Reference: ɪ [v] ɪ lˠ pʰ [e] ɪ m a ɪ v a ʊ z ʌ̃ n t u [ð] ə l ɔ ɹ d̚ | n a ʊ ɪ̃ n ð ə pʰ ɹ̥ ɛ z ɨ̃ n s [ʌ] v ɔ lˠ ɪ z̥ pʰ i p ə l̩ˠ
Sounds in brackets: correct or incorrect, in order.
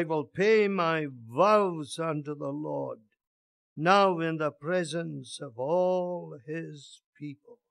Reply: incorrect: w, correct, correct, correct

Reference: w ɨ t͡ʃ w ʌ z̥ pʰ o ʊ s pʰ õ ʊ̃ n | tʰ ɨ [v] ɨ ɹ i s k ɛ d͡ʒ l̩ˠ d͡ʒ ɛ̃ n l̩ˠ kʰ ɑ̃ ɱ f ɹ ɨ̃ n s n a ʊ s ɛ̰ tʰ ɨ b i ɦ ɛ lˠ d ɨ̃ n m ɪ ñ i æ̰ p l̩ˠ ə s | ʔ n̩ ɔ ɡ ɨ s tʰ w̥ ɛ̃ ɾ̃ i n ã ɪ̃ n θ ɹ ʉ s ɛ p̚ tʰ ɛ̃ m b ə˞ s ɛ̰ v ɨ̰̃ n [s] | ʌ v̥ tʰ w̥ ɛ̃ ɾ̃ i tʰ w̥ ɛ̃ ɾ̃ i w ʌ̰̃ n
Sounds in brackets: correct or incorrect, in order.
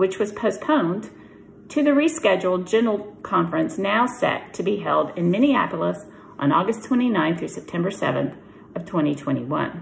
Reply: incorrect: ð, incorrect: θ

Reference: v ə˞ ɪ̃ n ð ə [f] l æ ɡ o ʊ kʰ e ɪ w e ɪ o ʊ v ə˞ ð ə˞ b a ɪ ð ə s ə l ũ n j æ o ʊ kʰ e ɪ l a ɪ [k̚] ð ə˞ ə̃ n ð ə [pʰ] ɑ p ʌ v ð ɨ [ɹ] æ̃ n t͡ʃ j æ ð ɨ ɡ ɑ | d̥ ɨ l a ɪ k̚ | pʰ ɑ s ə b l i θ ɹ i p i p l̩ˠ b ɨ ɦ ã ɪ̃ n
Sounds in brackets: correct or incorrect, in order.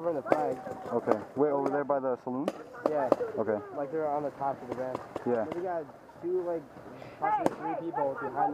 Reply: correct, correct, incorrect: tʰ, correct

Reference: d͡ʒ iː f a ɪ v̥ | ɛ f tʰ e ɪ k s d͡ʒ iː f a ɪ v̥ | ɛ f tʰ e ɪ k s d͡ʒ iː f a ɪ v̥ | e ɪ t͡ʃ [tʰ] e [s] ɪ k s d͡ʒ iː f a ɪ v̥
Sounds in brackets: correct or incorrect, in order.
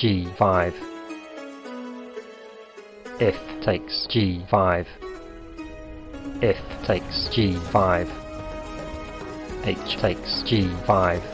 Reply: correct, incorrect: none

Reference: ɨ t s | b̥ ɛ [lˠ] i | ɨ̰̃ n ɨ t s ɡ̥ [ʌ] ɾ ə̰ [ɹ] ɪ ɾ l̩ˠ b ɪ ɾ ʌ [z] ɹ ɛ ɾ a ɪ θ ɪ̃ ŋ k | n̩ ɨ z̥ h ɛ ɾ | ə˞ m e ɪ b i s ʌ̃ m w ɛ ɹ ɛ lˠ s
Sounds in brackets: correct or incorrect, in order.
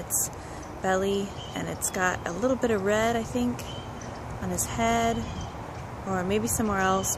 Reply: correct, incorrect: ɑ, incorrect: l, incorrect: v

